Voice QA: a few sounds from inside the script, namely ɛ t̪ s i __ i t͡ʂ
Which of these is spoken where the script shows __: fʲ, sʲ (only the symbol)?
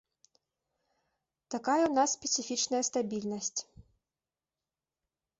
fʲ